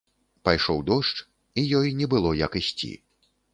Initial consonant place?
labial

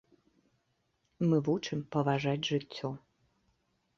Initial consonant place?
labial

